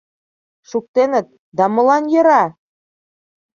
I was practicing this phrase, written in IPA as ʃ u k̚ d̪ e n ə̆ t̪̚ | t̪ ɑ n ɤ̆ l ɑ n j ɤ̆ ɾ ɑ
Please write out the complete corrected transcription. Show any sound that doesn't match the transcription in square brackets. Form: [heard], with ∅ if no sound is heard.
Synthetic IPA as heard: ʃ u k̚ [t̪] e n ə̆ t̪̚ | [d̪] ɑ [m] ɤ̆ l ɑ n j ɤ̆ ɾ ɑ